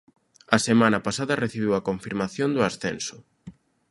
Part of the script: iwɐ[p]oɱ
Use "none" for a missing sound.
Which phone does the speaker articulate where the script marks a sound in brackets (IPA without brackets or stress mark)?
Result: k